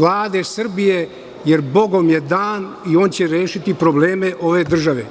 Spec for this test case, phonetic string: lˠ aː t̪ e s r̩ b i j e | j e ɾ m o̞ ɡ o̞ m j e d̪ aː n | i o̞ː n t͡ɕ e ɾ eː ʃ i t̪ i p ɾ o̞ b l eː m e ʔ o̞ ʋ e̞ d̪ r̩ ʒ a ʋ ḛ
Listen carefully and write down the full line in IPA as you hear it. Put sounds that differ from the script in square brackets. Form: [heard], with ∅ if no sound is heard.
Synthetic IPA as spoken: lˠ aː [d̪] e s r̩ b i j e | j e ɾ [b] o̞ ɡ o̞ m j e d̪ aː n | i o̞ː n t͡ɕ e ɾ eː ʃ i t̪ i p ɾ o̞ b l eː m e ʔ o̞ ʋ e̞ d̪ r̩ ʒ a ʋ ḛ